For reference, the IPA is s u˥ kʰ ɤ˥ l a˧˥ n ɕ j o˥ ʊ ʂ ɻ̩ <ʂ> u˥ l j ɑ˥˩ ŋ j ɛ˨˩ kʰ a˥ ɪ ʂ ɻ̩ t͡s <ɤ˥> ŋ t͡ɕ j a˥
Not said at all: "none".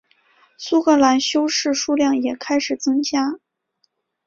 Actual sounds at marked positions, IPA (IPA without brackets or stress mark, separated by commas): ʂ, ɤ˥